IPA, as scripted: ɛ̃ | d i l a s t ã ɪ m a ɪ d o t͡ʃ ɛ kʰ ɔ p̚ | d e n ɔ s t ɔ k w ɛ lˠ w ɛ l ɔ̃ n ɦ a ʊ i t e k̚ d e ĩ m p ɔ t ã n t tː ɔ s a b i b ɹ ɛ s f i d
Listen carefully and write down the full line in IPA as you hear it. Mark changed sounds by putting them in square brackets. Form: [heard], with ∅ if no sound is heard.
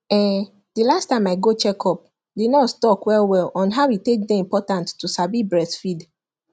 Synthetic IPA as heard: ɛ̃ | d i l a s t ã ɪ m a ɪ [ɡ] o t͡ʃ ɛ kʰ ɔ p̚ | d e n ɔ s t ɔ k w ɛ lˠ w ɛ l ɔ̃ n ɦ a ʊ i t e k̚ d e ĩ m p ɔ t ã n t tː [u] s a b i b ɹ ɛ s f i d